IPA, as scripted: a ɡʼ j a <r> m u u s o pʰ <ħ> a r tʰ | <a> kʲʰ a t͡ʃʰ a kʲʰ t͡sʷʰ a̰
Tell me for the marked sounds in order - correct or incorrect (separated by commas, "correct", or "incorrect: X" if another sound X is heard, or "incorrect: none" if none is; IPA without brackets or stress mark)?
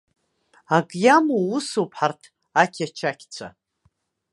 incorrect: none, correct, correct